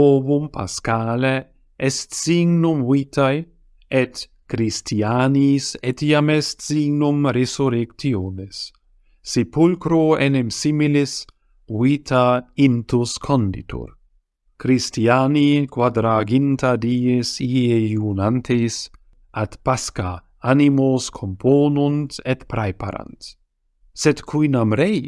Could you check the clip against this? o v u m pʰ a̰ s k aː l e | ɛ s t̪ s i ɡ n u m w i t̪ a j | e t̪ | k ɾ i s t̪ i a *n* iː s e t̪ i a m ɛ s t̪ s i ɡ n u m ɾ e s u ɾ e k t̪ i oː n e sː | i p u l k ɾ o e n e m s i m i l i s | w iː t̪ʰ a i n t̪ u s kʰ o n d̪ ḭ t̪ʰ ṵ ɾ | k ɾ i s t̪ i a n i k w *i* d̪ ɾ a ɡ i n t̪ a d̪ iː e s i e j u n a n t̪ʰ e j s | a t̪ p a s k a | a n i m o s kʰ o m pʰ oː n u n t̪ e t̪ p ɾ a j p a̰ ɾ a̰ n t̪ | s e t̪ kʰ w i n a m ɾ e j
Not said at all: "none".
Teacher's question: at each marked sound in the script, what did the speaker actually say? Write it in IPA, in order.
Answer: n, a

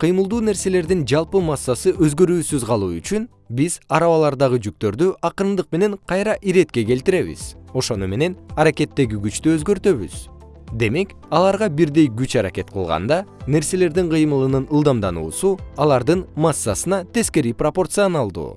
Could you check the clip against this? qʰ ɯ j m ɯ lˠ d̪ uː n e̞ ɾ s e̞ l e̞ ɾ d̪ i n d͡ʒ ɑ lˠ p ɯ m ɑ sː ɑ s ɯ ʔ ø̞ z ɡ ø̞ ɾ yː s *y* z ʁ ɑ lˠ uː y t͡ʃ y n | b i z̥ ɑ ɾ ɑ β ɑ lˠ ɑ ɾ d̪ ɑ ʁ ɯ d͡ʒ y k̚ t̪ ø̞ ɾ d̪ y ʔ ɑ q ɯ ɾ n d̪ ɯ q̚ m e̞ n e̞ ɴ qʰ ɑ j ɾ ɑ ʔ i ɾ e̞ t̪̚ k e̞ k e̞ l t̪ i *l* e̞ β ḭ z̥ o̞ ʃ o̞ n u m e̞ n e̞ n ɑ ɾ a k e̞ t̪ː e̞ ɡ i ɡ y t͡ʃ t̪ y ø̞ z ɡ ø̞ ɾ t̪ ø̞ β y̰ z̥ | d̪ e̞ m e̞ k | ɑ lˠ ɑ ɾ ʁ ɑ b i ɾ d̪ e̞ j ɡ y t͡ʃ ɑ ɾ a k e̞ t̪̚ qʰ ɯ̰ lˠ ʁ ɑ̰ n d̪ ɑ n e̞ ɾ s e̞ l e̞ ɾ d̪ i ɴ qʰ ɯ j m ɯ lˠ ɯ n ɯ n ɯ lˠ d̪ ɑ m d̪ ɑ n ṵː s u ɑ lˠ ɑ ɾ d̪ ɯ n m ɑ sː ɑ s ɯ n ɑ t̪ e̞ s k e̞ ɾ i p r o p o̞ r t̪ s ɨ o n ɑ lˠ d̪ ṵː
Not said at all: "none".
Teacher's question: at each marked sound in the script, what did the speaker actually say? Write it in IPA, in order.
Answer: y, ɾ

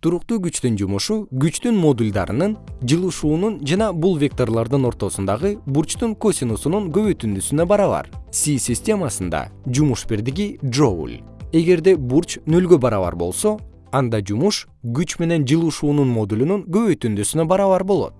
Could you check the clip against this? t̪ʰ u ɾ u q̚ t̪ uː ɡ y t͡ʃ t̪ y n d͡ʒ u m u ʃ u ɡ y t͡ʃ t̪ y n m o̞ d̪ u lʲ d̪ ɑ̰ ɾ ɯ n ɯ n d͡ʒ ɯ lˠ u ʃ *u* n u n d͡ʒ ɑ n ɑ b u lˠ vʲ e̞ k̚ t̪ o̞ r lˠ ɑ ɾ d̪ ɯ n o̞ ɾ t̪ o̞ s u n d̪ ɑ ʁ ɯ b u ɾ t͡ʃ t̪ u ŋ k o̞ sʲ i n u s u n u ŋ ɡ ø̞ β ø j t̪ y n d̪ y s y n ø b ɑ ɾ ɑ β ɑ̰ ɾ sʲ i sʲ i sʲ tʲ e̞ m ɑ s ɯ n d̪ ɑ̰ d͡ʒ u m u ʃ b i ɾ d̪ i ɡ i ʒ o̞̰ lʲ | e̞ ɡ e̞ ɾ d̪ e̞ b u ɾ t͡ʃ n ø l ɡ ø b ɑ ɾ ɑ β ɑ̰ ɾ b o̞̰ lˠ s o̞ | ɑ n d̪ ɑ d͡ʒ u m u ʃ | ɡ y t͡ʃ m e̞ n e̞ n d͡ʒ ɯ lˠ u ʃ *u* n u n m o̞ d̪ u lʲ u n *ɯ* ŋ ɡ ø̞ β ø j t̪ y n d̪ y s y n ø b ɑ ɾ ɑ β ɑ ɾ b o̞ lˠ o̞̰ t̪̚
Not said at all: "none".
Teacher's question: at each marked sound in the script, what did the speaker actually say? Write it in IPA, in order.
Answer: uː, uː, u

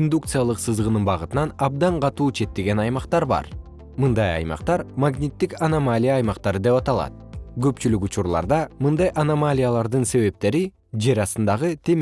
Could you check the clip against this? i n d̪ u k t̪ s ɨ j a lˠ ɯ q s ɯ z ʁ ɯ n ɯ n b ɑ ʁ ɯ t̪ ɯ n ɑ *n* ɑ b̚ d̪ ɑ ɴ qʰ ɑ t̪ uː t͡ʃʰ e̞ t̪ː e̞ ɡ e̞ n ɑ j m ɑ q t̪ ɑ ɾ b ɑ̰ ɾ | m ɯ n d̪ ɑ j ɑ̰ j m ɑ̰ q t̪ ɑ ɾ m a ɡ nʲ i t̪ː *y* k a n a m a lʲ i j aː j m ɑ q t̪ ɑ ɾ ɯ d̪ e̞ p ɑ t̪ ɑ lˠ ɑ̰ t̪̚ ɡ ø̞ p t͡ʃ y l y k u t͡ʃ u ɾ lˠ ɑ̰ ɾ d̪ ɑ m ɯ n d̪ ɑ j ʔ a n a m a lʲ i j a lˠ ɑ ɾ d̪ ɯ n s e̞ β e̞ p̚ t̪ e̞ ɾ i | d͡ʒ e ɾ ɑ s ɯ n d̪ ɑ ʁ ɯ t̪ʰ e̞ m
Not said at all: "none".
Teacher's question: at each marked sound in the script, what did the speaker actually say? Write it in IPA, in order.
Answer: n, i

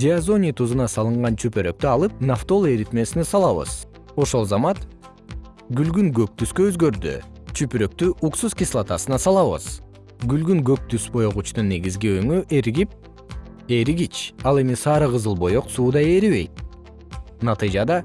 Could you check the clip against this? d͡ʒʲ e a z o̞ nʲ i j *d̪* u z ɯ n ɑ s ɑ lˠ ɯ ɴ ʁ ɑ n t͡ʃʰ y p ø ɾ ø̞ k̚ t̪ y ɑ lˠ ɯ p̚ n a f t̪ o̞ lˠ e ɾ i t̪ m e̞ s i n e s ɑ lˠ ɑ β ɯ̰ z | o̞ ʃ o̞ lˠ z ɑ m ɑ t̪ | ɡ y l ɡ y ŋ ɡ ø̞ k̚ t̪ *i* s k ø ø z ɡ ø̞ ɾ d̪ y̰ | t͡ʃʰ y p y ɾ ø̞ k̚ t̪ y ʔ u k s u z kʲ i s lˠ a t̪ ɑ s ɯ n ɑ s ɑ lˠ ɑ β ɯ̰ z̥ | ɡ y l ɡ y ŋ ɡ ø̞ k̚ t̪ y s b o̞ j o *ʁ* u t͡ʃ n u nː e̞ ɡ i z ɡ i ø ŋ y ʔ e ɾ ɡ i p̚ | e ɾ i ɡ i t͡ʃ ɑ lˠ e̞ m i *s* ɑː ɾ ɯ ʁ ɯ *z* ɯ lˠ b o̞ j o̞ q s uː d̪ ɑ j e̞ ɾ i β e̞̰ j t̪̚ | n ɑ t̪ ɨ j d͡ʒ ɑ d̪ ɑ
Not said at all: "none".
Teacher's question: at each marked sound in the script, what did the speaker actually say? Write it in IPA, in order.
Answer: t̪, y, ʁ, s, z

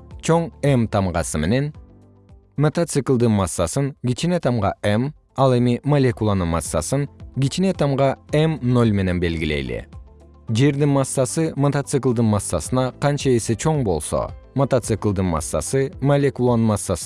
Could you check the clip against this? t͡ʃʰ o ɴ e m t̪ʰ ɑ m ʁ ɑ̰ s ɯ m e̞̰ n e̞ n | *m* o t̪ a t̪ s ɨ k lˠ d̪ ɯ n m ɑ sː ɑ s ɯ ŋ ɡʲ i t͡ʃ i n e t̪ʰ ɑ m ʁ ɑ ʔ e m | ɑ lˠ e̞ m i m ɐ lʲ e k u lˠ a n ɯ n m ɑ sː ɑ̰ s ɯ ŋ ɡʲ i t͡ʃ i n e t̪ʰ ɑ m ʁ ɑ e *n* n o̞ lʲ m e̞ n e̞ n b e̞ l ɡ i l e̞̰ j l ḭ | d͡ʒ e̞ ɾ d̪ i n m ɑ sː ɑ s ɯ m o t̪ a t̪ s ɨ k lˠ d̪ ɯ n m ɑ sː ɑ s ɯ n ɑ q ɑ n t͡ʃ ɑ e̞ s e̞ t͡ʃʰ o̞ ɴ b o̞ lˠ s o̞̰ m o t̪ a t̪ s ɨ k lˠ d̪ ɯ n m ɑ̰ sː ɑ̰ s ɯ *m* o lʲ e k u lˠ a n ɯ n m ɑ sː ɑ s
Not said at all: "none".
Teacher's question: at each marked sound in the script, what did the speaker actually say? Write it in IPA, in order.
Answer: m, m, m

